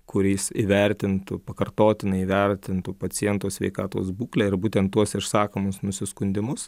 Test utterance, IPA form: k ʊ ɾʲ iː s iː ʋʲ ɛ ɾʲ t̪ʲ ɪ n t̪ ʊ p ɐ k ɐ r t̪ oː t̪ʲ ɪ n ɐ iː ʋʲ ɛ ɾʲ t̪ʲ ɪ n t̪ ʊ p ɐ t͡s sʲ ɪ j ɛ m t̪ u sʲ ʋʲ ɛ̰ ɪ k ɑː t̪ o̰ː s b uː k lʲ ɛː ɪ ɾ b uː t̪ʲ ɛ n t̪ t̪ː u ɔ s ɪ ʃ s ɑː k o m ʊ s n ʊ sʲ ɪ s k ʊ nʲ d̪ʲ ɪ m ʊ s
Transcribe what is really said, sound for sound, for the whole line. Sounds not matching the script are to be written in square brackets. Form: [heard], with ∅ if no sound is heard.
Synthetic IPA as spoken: k ʊ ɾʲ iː s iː ʋʲ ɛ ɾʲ t̪ʲ ɪ n t̪ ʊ p ɐ k ɐ r t̪ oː t̪ʲ ɪ n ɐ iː ʋʲ ɛ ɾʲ t̪ʲ ɪ n t̪ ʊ p ɐ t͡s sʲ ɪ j ɛ [n] t̪ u sʲ ʋʲ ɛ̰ ɪ k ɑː t̪ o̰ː s b uː k lʲ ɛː ɪ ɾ b uː t̪ʲ ɛ n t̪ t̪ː u ɔ s ɪ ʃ s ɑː k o m ʊ s n ʊ sʲ ɪ s k ʊ nʲ d̪ʲ ɪ m ʊ s